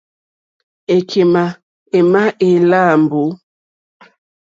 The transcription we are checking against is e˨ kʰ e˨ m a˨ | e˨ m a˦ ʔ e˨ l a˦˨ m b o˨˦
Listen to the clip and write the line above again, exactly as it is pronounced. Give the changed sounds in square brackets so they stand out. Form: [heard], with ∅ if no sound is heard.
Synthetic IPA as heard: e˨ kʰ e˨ m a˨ | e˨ m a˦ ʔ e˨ l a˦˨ m b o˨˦